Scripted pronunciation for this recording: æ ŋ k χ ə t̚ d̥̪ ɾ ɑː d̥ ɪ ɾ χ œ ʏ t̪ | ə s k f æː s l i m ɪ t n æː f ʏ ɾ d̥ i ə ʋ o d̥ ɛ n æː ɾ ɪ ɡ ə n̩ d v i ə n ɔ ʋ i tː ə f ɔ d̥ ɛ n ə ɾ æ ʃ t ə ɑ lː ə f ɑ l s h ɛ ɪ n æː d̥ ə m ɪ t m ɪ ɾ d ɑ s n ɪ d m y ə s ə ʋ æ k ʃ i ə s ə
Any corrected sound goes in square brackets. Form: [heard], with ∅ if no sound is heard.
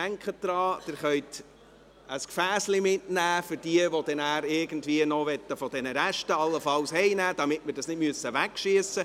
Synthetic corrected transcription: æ ŋ k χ ə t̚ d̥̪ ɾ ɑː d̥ ɪ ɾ χ œ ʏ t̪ | ə s k f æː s l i m ɪ t n æː f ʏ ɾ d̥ i ə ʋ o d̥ ɛ n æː ɾ ɪ ɡ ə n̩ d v i ə n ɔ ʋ [ɛ] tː ə f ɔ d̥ ɛ n ə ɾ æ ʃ t ə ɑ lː ə f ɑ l s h ɛ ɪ n æː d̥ [ɑ] m ɪ t m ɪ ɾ d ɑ s n ɪ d m y ə s ə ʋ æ k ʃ i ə s ə